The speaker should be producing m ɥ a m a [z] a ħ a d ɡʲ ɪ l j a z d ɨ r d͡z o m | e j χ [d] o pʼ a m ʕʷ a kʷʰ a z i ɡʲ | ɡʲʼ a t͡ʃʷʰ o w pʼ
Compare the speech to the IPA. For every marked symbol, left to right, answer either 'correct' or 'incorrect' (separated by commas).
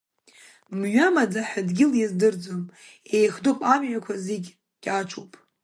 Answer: incorrect, correct